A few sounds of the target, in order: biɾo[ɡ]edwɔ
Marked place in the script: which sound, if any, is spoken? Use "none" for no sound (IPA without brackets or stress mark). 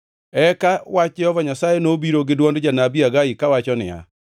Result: ɡ